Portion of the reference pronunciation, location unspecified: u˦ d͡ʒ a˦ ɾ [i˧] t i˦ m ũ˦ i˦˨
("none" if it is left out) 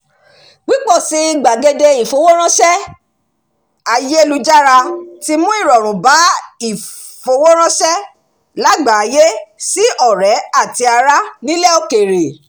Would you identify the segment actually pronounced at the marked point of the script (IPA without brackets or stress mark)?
a˧